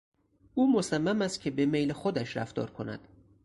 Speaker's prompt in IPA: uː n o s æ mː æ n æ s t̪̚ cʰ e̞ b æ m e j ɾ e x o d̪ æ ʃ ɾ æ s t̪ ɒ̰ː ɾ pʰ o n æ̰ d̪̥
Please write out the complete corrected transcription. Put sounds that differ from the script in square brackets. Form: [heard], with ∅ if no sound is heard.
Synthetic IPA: uː [m] o s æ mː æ [m] æ s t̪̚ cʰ e̞ b [e] m e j [l] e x o d̪ æ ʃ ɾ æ [f] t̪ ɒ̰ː ɾ [kʰ] o n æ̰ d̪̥